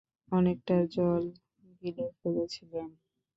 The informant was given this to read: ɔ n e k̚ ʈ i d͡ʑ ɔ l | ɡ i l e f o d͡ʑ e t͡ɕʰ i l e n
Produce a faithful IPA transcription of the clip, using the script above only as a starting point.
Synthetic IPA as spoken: ɔ n e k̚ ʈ a d͡ʑ ɔ l | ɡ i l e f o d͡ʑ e t͡ɕʰ i l e n